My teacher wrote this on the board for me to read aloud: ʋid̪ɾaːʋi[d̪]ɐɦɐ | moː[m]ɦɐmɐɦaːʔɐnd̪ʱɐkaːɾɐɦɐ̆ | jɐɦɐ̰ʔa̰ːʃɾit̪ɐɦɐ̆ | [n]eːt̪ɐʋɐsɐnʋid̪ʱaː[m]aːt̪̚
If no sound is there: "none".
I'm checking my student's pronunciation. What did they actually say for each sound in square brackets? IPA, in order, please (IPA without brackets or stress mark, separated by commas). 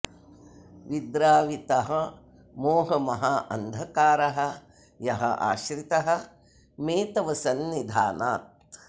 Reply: t̪, none, m, n